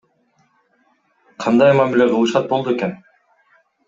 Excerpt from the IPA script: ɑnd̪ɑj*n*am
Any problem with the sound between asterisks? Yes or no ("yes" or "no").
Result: yes